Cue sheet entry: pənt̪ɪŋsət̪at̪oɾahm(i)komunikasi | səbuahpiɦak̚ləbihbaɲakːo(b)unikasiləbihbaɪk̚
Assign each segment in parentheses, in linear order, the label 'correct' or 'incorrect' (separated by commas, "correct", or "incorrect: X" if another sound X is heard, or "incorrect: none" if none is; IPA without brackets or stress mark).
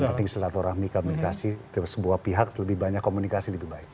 correct, incorrect: m